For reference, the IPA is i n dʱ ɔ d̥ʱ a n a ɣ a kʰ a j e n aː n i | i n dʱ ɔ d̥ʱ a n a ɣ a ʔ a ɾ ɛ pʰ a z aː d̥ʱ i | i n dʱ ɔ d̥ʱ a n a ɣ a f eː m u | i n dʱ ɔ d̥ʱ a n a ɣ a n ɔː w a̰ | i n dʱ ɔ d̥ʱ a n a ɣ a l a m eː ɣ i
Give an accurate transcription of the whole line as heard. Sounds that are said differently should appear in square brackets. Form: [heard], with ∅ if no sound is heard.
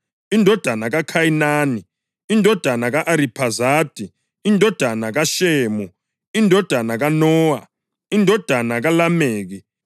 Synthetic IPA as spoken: i n dʱ ɔ d̥ʱ a n a ɣ a kʰ a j [i] n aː n i | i n dʱ ɔ d̥ʱ a n a ɣ a ʔ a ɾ [i] pʰ a z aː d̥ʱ i | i n dʱ ɔ d̥ʱ a n a ɣ a [ʃ] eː m u | i n dʱ ɔ d̥ʱ a n a ɣ a n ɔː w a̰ | i n dʱ ɔ d̥ʱ a n a ɣ a l a m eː ɣ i